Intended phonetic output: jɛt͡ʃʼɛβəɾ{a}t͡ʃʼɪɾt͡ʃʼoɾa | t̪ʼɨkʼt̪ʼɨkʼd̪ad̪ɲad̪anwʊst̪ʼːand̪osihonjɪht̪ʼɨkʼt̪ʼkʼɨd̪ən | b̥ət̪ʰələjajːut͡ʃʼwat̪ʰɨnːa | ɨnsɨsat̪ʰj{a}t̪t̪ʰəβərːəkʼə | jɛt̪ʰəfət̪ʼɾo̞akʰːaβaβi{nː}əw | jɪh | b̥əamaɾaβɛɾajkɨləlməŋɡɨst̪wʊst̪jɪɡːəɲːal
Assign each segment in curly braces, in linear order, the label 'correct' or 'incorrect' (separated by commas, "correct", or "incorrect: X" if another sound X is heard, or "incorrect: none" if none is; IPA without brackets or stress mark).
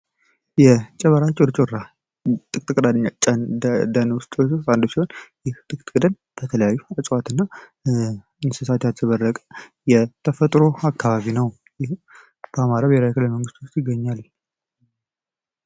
correct, correct, incorrect: n